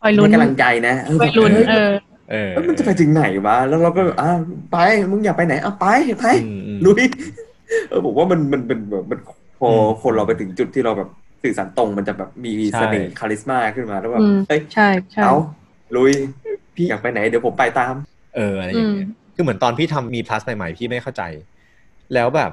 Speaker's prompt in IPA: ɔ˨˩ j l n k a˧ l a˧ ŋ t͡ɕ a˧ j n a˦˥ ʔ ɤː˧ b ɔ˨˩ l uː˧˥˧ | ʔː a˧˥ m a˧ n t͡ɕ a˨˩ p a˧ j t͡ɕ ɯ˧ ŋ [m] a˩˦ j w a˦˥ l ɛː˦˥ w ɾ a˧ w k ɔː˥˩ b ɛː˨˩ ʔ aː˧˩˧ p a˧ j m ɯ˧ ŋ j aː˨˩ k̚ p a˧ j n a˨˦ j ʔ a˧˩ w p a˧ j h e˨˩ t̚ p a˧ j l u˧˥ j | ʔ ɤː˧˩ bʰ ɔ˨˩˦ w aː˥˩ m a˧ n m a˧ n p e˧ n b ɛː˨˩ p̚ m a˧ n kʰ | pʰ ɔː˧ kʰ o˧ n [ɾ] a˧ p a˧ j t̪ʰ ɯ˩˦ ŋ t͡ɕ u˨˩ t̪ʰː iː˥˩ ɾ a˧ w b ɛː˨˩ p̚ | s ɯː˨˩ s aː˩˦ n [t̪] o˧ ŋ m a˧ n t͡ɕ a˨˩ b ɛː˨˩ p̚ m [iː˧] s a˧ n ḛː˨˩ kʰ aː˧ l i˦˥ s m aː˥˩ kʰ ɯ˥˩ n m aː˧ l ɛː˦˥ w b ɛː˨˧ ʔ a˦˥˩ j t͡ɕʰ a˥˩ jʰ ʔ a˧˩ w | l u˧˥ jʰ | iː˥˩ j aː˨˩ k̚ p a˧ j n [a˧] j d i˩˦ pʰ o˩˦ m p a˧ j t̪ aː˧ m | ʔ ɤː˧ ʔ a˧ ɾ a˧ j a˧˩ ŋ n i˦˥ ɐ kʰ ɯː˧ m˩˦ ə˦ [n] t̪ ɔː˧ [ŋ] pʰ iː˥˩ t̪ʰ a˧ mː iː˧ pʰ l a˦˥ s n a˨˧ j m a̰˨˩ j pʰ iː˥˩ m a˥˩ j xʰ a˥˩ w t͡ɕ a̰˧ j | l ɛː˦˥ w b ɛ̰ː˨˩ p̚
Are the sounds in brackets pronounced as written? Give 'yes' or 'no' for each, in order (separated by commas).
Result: no, yes, yes, yes, no, yes, no